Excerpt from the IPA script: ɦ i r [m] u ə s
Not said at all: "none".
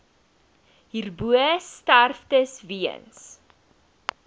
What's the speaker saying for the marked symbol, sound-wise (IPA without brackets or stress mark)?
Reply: b